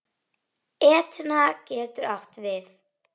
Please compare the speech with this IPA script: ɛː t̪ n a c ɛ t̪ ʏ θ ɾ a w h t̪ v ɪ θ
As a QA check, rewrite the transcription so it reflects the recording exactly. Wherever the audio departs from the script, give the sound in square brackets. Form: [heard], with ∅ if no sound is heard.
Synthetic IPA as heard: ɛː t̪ n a c [ɛː] t̪ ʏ [∅] ɾ a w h t̪ v ɪ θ